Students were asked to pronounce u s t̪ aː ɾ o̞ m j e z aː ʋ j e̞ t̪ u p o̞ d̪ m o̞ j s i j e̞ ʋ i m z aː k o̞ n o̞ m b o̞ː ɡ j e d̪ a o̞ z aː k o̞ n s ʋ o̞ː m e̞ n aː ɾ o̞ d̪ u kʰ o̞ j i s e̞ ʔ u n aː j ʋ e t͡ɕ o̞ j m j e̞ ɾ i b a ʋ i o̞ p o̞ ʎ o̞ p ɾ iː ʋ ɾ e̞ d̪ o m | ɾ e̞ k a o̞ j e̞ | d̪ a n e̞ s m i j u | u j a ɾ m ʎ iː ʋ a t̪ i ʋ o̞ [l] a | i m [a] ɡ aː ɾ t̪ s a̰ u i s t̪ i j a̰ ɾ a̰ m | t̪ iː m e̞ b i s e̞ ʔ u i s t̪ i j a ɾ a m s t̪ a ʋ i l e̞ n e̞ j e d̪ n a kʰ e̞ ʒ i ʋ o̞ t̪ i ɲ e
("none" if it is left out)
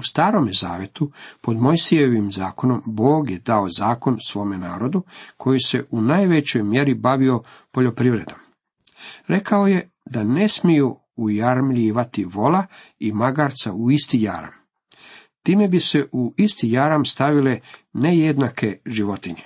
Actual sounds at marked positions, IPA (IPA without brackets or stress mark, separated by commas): l, a